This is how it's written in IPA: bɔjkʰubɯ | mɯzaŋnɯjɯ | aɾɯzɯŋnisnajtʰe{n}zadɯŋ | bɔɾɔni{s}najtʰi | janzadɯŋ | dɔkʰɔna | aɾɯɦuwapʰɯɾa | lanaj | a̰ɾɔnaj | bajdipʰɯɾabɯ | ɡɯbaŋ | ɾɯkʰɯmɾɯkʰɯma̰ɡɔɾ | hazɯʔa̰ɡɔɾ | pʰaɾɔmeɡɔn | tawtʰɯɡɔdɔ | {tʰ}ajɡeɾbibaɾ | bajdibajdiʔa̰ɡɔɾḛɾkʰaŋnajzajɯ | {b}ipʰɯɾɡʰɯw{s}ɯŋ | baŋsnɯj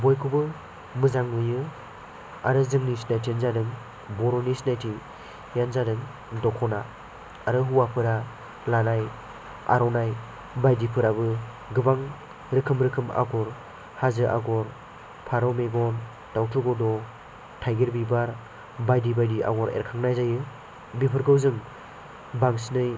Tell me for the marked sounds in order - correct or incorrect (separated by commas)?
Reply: correct, correct, correct, correct, incorrect